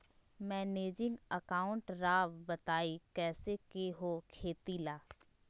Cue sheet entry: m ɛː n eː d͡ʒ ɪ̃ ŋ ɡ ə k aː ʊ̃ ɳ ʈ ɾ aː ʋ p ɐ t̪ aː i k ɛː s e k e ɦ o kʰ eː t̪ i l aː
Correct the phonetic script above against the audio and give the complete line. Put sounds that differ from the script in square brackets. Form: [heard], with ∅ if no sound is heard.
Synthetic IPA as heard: m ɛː n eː d͡ʒ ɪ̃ ŋ ɡ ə k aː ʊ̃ ɳ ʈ ɾ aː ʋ [b] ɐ t̪ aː i k ɛː s e k e ɦ o kʰ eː t̪ i l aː